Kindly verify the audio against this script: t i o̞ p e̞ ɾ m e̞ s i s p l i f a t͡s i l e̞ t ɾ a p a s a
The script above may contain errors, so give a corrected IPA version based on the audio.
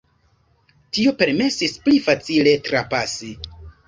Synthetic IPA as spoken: t i o̞ p e̞ ɾ m e̞ s i s p l i f a t͡s i l e̞ t ɾ a p a s i